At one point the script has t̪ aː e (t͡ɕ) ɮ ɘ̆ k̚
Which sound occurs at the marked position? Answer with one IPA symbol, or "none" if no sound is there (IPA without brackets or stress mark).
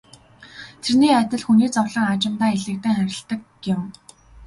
none